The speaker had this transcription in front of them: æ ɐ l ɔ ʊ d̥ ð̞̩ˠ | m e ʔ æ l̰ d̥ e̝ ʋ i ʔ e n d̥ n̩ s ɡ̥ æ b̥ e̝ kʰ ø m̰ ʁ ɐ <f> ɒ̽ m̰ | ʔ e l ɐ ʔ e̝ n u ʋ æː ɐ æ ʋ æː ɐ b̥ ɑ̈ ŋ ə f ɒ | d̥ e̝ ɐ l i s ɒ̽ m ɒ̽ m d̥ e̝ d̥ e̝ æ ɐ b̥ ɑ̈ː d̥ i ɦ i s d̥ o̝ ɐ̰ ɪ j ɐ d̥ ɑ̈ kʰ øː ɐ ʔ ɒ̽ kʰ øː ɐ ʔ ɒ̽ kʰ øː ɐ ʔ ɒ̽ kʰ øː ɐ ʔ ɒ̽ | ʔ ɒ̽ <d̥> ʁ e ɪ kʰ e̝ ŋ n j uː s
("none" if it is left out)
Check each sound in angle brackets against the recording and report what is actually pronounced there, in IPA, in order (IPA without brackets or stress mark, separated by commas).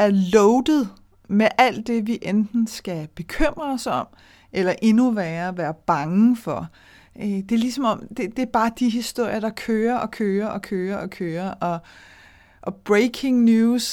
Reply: s, b̥